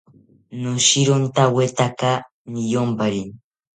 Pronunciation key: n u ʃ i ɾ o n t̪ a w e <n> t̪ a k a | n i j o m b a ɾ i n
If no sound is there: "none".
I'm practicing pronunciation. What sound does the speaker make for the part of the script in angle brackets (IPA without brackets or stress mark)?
none